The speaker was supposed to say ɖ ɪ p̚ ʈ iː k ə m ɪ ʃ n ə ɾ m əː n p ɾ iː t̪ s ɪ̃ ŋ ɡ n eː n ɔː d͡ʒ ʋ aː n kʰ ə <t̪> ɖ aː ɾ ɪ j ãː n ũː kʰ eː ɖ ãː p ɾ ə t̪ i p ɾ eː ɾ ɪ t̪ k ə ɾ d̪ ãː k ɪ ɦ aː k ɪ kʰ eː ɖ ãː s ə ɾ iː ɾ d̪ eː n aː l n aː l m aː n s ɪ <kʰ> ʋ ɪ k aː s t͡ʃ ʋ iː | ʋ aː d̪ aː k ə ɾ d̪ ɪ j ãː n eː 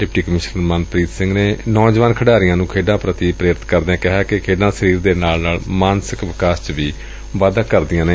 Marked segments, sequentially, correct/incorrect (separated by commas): incorrect, incorrect